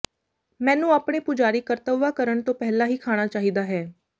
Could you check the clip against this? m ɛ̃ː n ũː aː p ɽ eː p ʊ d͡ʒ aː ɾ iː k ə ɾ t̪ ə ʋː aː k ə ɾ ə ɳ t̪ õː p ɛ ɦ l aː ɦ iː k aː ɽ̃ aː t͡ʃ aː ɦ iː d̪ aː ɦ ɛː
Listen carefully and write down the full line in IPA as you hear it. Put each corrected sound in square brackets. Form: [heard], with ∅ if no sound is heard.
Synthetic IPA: m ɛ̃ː n ũː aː p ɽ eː p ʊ d͡ʒ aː ɾ iː k ə ɾ t̪ ə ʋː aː k ə ɾ ə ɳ t̪ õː p ɛ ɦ l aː ɦ iː [kʰ] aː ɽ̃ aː t͡ʃ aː ɦ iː d̪ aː ɦ ɛː